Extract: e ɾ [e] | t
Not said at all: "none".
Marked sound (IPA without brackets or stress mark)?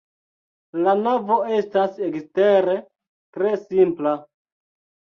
e